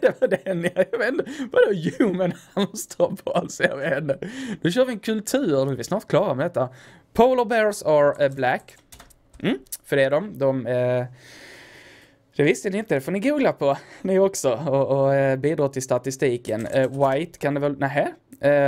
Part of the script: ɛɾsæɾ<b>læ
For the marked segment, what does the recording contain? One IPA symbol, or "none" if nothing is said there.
b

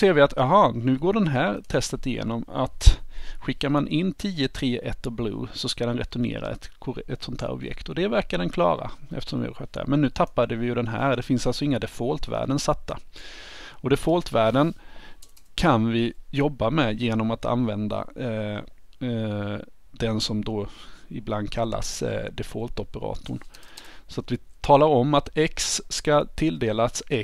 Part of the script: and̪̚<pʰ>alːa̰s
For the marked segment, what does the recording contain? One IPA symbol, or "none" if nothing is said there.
kʰ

